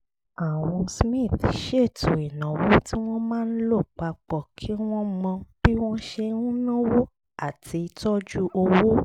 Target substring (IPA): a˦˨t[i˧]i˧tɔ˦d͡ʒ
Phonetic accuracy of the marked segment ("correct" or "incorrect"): correct